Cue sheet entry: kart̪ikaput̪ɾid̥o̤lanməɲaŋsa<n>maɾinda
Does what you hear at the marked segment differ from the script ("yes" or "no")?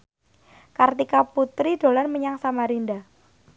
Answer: yes